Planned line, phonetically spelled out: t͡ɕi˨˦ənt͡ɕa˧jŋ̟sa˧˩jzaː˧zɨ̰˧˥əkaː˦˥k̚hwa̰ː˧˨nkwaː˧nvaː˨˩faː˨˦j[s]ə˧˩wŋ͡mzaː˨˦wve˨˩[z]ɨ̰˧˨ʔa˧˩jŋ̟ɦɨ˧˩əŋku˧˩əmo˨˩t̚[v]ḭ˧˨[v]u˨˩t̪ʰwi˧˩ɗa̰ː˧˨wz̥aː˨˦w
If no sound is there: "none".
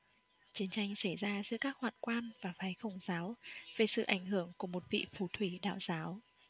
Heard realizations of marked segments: x, s, v, f

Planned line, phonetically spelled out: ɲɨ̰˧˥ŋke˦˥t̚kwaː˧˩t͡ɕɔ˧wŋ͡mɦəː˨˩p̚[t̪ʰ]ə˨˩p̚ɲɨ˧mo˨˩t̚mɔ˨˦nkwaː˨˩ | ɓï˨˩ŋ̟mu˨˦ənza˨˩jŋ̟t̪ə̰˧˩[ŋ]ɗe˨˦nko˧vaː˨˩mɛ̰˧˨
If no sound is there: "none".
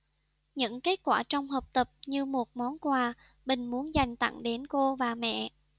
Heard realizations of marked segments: t̪, ŋ

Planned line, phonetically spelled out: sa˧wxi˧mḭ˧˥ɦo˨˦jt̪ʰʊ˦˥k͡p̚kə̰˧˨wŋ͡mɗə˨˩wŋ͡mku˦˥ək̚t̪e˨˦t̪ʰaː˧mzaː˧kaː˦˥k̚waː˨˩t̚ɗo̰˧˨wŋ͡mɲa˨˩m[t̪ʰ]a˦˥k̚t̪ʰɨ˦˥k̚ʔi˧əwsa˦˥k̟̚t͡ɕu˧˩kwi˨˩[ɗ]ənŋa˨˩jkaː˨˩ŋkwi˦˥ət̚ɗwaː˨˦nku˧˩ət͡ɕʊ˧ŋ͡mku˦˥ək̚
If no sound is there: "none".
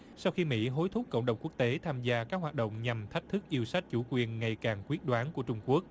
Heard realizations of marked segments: t̪ʰ, none

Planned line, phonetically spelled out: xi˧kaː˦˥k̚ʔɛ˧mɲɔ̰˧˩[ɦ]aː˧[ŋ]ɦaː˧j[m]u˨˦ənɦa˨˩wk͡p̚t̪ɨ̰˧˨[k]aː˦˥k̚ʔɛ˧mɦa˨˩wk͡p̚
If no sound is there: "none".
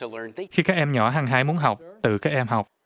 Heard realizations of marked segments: ɦ, ŋ, m, k

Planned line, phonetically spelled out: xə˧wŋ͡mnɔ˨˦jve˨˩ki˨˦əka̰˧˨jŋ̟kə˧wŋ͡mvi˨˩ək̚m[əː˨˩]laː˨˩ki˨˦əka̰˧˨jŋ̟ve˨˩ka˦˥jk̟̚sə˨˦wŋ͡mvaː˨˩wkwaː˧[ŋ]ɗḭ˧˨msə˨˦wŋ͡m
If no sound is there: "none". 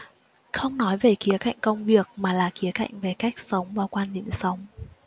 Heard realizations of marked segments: aː˨˩, n

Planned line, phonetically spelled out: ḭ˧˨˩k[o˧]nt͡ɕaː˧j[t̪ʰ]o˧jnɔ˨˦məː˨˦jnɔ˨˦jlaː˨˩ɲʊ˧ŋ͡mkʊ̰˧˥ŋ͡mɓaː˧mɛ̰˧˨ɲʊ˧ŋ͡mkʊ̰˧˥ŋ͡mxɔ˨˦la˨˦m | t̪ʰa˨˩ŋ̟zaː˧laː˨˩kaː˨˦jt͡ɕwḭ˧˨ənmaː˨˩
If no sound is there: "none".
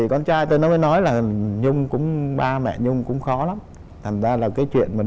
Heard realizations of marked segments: ɔ˧, t̪

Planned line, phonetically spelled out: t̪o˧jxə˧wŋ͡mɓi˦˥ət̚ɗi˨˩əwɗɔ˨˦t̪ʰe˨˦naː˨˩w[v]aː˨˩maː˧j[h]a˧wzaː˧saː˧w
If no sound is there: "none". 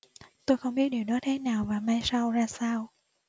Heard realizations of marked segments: v, s

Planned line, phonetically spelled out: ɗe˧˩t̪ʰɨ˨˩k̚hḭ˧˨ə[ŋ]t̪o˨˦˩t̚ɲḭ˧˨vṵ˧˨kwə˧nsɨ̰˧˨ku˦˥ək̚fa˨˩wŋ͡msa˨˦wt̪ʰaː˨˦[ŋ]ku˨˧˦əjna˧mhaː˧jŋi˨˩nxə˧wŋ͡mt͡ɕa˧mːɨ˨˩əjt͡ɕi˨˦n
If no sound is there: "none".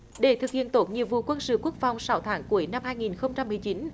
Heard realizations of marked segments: n, ŋ

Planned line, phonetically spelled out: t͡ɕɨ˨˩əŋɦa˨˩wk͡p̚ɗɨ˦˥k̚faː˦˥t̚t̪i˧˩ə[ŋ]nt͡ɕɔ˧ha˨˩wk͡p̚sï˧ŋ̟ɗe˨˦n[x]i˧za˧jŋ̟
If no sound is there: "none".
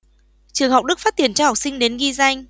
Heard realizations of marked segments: none, ɣ

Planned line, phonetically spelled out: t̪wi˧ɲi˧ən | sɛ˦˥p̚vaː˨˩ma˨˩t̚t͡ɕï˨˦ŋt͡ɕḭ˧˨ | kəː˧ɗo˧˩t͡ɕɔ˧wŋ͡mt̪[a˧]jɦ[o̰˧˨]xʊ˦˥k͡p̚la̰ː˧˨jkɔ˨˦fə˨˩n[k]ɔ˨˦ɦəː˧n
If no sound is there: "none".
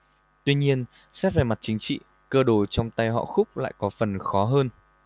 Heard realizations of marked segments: a˧, ɔ̰˧˨, x

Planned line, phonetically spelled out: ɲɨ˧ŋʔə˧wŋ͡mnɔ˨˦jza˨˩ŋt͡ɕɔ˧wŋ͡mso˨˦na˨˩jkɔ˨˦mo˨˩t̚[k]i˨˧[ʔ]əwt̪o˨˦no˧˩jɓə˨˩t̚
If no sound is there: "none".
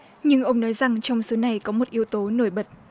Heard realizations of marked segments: ʔ, none

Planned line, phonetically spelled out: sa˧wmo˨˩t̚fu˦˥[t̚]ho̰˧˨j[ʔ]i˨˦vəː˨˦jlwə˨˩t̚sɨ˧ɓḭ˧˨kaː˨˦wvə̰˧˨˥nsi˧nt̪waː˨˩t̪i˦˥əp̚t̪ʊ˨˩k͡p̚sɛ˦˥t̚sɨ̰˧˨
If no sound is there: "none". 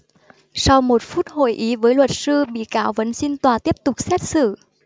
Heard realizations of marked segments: t̚, ʔ

